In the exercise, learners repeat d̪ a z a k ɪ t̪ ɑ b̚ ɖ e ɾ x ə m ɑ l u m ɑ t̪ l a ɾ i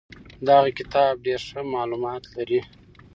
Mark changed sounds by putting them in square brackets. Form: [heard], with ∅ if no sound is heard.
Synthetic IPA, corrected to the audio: d̪ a [ɣ] a k ɪ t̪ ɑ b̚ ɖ e ɾ [ʂ] ə m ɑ l u m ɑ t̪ l a ɾ i